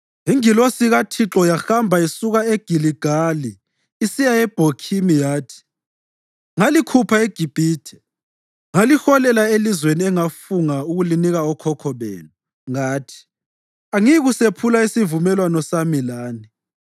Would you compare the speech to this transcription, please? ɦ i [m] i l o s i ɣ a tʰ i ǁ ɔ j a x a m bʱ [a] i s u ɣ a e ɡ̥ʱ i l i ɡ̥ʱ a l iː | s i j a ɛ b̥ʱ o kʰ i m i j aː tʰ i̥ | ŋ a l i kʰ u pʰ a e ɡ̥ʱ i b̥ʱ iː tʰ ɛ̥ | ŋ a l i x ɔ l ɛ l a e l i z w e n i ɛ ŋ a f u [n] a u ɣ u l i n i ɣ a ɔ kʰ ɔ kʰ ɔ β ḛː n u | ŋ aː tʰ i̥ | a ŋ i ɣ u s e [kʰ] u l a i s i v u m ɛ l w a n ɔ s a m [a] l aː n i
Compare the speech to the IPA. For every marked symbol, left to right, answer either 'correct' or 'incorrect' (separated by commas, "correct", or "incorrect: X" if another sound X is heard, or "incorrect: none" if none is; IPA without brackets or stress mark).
incorrect: ŋ, correct, incorrect: ŋ, incorrect: pʰ, incorrect: i